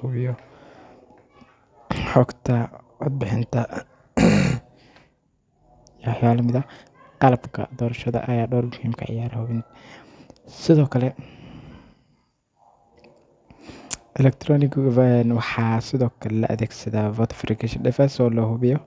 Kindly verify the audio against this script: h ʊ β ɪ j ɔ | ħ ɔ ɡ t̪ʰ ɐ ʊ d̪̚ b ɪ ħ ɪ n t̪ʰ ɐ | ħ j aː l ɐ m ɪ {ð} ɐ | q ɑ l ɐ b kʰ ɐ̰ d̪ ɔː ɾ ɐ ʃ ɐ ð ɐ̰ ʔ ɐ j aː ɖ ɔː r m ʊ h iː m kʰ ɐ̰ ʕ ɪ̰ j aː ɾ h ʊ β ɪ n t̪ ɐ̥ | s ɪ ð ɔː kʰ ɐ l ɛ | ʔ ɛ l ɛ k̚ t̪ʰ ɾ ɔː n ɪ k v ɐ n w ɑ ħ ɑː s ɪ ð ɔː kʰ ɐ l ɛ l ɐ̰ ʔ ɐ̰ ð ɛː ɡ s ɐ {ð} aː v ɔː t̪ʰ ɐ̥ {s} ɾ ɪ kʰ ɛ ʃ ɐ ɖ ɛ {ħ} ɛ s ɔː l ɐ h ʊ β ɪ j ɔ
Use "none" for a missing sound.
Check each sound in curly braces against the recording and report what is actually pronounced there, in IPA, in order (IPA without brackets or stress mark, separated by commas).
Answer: ð, ð, f, f